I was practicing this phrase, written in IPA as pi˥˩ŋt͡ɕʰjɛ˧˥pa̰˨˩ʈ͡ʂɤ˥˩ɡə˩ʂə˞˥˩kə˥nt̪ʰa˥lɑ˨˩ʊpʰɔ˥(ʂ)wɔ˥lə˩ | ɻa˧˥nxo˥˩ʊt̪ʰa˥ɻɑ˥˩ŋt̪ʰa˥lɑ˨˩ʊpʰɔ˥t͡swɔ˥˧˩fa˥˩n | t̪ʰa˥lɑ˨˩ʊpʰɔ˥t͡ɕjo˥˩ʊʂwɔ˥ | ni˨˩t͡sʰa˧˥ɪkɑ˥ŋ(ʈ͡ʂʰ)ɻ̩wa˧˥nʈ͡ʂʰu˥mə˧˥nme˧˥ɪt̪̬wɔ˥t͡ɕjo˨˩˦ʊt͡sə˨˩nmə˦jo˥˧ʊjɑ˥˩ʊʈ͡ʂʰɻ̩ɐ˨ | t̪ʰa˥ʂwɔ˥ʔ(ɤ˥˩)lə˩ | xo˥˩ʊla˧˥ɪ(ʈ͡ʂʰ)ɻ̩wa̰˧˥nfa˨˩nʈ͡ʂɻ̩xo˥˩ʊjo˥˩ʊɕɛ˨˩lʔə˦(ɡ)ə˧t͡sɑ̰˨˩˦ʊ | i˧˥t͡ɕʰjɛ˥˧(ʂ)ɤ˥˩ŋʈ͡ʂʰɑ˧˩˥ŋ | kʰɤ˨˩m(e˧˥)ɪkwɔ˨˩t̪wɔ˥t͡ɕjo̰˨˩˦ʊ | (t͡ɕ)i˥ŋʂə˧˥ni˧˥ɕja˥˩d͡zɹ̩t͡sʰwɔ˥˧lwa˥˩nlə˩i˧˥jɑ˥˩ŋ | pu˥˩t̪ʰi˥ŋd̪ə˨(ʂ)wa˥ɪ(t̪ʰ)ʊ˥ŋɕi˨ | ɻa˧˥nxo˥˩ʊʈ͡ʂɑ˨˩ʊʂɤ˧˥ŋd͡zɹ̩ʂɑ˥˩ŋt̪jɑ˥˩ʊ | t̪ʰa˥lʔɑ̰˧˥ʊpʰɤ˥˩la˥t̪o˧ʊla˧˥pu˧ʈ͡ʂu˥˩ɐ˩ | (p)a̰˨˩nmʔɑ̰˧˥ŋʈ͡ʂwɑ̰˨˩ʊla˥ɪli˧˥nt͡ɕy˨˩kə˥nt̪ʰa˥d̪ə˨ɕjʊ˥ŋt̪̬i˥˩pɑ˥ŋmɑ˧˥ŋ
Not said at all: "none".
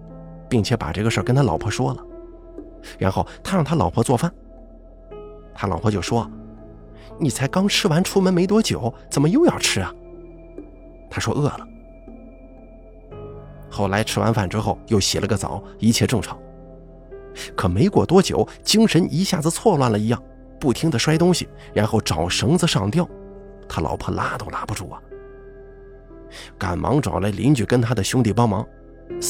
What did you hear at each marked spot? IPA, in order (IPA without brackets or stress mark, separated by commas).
ʂ, ʈ͡ʂʰ, ɤ˥˩, ʈ͡ʂʰ, ɡ, ʈ͡ʂ, e˧˥, t͡ɕ, ʂ, t̪, k